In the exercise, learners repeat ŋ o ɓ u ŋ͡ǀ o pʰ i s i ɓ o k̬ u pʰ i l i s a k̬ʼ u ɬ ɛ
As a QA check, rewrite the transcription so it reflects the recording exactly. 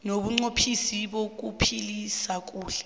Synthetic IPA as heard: n o ɓ u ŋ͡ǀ o pʰ i s i ɓ o k̬ u pʰ i l i s a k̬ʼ uː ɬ ɛ